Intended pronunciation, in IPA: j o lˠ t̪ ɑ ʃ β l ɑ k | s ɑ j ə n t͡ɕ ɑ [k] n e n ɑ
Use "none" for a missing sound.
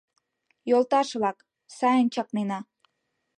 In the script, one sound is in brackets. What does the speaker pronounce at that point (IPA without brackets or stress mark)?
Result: k